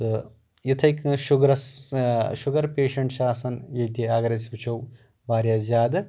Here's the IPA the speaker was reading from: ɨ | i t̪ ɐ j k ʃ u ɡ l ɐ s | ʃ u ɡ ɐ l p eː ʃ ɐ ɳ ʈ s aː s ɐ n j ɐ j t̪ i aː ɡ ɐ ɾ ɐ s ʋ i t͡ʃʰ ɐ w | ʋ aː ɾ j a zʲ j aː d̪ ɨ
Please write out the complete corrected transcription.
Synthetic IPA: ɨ | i t̪ʰ ɐ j k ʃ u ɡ ɾ ɐ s | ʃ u ɡ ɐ ɾ p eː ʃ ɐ ɳ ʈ ʃ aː s ɐ n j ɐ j t̪ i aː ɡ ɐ ɾ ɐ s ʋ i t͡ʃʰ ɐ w | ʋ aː ɾ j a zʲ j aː d̪ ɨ

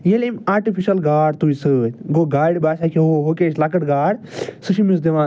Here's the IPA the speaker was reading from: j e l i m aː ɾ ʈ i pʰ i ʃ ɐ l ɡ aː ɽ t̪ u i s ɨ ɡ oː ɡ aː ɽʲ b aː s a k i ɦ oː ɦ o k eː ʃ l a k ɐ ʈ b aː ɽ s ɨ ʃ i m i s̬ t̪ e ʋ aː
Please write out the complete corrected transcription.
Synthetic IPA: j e l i m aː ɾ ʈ i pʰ i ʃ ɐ l ɡ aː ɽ t̪ u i s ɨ ɡ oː ɡ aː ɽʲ b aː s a k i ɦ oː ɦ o k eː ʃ l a k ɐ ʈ ɡ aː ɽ s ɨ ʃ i m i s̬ d̪ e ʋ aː

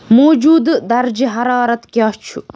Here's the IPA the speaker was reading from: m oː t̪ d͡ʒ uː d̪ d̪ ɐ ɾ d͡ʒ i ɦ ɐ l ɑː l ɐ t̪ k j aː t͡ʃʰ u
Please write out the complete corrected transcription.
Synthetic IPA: m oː d͡ʒ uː d̪ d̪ ɐ ɾ d͡ʒ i ɦ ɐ ɾ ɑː ɾ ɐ t̪ k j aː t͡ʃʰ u

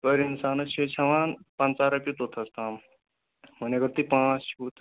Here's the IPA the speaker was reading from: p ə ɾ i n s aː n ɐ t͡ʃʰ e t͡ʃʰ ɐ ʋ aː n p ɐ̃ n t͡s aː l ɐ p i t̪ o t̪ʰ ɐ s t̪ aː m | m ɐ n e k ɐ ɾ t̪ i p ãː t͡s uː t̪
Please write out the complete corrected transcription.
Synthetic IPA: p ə ɾ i n s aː n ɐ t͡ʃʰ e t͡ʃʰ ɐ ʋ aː n p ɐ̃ n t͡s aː ɾ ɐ p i t̪ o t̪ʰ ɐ s t̪ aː m | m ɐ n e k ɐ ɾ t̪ i p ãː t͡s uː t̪

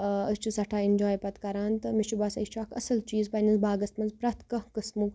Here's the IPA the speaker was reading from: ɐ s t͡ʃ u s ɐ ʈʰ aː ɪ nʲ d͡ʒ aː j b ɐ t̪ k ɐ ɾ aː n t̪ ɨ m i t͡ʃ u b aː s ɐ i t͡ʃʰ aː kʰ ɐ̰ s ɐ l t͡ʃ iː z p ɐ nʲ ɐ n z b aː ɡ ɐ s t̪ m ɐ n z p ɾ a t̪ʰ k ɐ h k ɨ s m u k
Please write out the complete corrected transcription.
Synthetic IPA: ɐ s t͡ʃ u s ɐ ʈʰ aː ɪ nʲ d͡ʒ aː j p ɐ t̪ k ɐ ɾ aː n t̪ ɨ m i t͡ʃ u b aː s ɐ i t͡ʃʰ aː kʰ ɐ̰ s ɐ l t͡ʃ iː z p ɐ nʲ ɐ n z b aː ɡ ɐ s t̪ m ɐ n z p ɾ ɐ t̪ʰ k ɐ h k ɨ s m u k

